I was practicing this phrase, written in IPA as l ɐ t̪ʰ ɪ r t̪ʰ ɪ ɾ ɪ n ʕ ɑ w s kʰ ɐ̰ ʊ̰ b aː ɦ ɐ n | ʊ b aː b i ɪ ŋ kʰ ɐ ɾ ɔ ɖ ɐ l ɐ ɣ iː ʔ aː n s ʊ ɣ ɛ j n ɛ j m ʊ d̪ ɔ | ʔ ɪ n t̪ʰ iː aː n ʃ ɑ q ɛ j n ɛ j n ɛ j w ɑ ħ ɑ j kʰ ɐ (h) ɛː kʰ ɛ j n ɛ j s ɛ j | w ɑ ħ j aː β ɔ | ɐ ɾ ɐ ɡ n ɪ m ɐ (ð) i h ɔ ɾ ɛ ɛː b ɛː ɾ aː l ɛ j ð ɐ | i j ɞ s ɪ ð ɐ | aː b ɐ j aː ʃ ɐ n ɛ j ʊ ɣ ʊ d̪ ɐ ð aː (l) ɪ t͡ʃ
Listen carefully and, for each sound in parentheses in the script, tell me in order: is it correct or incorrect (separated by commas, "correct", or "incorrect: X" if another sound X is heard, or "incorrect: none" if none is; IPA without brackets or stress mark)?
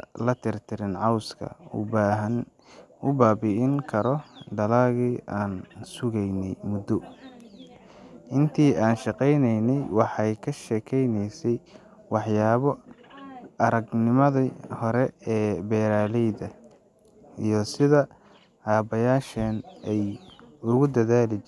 incorrect: ʃ, correct, correct